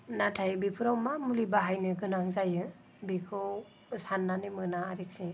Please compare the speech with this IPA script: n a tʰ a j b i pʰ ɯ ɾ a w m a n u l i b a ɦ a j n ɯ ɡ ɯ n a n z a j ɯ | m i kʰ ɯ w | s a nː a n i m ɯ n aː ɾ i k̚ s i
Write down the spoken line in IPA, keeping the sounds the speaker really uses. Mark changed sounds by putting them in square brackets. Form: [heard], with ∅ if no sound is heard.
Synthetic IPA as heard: n a tʰ a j b i pʰ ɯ ɾ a w m a [m] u l i b a ɦ a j n ɯ ɡ ɯ n a [ŋ] z a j ɯ | [b] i kʰ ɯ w | s a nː a n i m ɯ n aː ɾ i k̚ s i